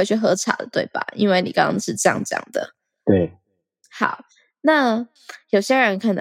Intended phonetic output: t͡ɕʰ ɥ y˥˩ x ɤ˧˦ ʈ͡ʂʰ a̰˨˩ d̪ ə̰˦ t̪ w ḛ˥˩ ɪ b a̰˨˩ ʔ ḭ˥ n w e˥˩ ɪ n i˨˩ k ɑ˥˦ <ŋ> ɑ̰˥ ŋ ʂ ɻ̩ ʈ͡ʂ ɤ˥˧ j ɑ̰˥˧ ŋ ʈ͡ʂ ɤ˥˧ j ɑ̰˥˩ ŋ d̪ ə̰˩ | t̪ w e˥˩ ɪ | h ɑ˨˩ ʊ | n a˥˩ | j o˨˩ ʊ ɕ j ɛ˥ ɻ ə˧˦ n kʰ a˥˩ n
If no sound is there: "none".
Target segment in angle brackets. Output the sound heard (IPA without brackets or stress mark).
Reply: ŋ